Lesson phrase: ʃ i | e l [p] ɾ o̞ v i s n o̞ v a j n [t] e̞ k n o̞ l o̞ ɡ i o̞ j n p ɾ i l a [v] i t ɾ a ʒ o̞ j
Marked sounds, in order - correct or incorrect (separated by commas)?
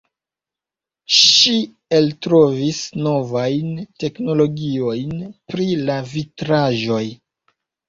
incorrect, correct, correct